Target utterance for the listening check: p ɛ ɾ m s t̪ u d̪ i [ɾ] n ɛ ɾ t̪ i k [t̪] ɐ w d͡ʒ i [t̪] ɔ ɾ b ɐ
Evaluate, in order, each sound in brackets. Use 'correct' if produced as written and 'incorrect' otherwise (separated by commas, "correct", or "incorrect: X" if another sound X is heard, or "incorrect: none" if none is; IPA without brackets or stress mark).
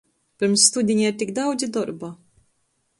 incorrect: none, incorrect: d̪, incorrect: d̪